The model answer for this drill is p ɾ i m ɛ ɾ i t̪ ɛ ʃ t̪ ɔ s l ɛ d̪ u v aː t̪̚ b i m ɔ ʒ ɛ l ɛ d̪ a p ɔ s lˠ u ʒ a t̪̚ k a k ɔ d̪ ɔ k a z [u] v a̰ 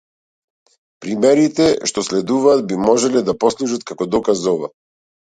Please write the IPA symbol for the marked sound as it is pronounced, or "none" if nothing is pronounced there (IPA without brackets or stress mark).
ɔ